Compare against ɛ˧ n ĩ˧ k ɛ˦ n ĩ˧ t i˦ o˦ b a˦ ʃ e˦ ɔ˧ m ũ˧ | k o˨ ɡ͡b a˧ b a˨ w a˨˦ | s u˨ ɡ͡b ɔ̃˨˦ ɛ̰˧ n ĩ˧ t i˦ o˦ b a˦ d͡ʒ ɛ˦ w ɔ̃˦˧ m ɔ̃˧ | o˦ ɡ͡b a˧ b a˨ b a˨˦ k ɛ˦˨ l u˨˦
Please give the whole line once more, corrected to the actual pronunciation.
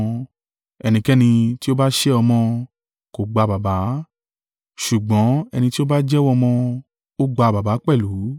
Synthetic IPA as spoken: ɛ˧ n ĩ˧ k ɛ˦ n ĩ˧ t i˦ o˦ b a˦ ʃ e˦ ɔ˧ m ɔ̃˧ | k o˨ ɡ͡b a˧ b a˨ b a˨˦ | ʃ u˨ ɡ͡b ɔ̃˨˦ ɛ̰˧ n ĩ˧ t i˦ o˦ b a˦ d͡ʒ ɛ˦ w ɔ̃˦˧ m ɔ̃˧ | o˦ ɡ͡b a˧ b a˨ b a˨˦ k͡p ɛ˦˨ l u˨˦

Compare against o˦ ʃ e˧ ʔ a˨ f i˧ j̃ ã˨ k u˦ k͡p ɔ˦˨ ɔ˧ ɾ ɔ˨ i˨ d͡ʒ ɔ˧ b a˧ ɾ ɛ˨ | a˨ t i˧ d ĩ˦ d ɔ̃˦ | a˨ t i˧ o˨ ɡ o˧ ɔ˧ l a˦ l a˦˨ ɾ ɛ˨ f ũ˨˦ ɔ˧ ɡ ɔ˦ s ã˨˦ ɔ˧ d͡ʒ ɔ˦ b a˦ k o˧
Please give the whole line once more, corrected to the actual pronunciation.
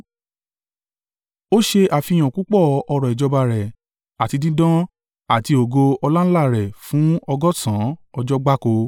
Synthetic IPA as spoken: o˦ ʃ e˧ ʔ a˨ f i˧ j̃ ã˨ k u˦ k͡p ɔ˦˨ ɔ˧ ɾ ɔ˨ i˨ d͡ʒ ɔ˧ b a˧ ɾ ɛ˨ | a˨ t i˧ d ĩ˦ d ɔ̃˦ | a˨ t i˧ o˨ ɡ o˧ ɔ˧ l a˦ l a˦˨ ɾ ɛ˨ f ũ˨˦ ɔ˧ ɡ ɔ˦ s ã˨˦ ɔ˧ d͡ʒ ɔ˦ ɡ͡b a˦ k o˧

